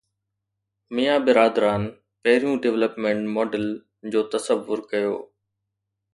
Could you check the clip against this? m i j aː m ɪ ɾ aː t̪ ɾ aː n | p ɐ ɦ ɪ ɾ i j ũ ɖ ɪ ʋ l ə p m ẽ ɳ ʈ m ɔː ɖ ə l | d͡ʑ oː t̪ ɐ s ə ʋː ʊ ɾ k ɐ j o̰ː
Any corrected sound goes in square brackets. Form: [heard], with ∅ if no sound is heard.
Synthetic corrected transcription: m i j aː [b] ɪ ɾ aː [d̪] ɾ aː n | p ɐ ɦ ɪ ɾ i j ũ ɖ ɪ ʋ l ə p m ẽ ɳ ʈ m ɔː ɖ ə l | d͡ʑ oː t̪ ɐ s ə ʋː ʊ ɾ k ɐ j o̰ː